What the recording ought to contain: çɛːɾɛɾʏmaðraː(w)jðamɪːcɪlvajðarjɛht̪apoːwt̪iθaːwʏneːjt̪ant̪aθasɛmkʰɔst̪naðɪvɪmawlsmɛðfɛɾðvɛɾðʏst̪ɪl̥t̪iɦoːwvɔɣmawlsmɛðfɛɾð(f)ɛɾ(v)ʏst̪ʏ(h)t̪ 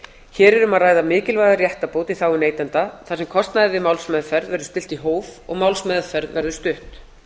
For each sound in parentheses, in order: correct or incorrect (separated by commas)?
incorrect, incorrect, incorrect, correct